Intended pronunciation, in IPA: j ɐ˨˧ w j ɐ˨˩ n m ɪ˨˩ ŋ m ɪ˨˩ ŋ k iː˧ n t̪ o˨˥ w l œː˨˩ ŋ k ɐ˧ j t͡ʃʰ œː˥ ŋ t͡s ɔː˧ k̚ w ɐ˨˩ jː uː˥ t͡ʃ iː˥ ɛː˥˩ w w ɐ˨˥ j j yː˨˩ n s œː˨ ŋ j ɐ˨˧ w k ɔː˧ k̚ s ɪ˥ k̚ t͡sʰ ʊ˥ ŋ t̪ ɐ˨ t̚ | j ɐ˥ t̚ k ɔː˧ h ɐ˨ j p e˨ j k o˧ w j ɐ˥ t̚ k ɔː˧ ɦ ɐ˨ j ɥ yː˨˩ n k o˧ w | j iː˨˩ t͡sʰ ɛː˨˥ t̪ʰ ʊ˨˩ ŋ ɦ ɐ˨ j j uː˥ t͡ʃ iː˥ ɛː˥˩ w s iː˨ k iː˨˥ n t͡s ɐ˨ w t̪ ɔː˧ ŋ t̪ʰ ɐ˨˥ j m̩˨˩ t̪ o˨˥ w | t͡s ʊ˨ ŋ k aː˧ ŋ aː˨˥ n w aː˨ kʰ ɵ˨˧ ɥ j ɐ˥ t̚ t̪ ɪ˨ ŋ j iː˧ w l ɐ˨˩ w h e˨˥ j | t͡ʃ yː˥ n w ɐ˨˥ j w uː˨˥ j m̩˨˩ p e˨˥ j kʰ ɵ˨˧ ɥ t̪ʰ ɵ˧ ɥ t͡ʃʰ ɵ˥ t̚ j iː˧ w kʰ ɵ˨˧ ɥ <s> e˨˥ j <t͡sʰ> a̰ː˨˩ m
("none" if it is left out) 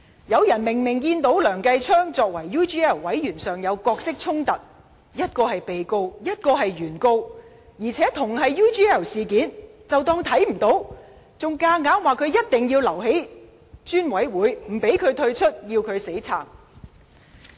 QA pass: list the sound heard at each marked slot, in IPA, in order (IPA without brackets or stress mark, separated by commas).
s, t͡sʰ